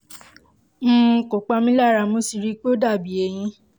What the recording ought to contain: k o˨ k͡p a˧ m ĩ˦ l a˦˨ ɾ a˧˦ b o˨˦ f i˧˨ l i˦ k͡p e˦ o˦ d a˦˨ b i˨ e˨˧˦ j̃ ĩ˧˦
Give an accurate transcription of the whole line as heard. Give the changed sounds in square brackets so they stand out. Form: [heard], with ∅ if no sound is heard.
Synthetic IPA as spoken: k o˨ k͡p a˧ m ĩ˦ l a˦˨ ɾ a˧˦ [m] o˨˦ [s] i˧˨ [ɾ] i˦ k͡p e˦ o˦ d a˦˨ b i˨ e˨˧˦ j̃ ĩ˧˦